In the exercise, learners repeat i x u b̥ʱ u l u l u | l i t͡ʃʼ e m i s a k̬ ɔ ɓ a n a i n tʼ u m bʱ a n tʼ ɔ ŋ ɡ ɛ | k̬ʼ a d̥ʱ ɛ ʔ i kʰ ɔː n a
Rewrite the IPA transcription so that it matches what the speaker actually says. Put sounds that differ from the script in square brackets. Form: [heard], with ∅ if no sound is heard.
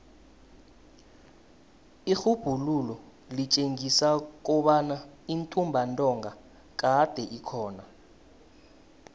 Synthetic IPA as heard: i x u b̥ʱ u l u l [ɔ] | l i t͡ʃʼ e [ŋ] i s a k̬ ɔ ɓ a n a i n tʼ u m bʱ a n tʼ ɔ ŋ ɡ [a] | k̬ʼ a d̥ʱ ɛ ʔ i kʰ ɔː n a